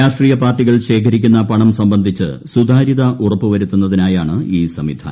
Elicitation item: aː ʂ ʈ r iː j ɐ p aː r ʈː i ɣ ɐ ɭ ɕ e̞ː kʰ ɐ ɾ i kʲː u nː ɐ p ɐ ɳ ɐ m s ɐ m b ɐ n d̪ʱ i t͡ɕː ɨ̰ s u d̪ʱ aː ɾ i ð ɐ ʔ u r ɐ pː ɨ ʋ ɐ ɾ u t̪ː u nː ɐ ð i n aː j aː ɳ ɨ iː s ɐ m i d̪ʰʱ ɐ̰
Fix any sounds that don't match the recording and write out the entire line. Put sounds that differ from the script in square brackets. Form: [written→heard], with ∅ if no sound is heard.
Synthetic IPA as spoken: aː ʂ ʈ r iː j ɐ p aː r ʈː i ɣ ɐ ɭ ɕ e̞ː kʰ ɐ ɾ i kʲː u nː ɐ p ɐ ɳ ɐ m s ɐ m b ɐ n d̪ʱ i t͡ɕː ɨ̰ s u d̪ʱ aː ɾ i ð ɐ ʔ u r ɐ pː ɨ ʋ ɐ ɾ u t̪ː u nː ɐ ð i n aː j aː ɳ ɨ iː s ɐ m i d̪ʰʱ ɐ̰